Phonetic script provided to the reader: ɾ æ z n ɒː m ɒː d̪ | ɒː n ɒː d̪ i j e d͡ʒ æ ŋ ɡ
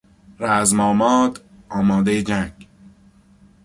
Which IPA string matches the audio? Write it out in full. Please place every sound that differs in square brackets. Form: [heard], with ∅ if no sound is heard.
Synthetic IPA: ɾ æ z [m] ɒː m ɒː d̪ | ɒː [m] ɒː d̪ [e] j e d͡ʒ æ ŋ ɡ